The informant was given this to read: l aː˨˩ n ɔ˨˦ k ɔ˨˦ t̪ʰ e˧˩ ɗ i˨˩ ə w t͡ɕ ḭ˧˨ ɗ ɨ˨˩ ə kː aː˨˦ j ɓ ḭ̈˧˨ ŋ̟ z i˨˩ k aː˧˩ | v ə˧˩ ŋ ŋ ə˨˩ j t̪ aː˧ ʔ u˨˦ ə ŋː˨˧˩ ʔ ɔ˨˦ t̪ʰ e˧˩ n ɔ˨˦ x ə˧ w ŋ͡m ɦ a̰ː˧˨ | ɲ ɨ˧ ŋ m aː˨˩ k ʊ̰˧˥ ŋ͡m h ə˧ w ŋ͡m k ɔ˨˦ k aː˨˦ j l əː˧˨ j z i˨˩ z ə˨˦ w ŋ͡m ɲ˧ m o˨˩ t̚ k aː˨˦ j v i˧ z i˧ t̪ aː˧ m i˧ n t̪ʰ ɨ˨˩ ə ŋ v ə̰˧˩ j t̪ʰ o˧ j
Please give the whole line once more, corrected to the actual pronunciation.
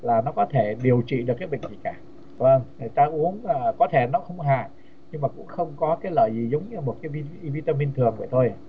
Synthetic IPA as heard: l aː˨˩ n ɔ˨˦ k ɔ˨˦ t̪ʰ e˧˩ ɗ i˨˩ ə w t͡ɕ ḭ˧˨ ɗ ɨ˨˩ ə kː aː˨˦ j ɓ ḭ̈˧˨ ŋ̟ z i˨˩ k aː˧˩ | v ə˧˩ ŋ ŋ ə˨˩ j t̪ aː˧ ʔ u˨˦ ə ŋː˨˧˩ k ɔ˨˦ t̪ʰ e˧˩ n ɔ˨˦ x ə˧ w ŋ͡m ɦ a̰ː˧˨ | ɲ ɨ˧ ŋ m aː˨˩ k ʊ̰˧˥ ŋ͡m x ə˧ w ŋ͡m k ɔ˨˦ k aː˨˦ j l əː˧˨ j z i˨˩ z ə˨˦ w ŋ͡m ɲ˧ m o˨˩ t̚ k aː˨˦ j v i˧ v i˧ t̪ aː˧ m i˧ n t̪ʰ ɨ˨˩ ə ŋ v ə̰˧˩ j t̪ʰ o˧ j